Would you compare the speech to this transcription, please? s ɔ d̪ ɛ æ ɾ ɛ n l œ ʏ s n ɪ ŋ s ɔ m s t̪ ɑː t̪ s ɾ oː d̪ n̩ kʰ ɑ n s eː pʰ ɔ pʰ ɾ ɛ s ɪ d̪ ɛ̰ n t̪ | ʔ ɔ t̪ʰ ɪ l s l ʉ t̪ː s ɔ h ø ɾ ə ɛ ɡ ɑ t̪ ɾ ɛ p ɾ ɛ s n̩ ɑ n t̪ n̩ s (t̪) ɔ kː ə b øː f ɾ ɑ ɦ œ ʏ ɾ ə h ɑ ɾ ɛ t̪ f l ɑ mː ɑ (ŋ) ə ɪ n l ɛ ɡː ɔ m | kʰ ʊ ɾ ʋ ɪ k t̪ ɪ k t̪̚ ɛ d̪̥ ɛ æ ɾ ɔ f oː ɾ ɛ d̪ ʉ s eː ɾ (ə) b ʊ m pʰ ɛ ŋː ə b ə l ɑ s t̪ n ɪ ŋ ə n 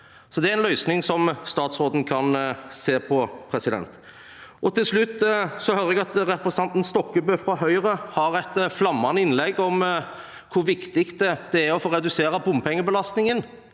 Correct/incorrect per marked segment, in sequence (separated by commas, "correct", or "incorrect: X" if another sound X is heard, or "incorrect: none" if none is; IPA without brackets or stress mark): correct, incorrect: n, incorrect: ɑ